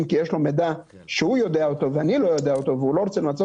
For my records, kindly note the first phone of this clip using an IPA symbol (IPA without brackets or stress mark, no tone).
m